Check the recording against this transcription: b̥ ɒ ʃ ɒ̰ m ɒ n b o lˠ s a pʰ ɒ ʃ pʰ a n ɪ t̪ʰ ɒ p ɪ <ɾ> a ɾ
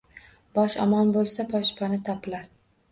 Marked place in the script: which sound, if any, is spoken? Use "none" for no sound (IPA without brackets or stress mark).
l